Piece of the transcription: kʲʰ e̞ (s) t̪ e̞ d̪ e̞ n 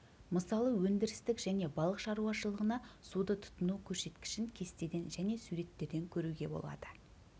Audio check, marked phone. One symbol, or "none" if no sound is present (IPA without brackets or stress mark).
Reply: s